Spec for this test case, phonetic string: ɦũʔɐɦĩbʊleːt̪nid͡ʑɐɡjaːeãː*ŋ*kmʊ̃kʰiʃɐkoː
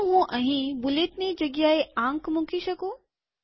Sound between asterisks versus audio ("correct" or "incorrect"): correct